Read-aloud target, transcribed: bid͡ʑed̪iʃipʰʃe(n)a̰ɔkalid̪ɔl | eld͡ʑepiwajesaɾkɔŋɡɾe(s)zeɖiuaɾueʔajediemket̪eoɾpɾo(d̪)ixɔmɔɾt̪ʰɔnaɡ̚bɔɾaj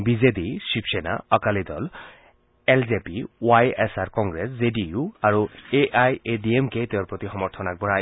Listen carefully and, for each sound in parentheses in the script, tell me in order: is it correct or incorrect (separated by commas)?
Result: correct, correct, incorrect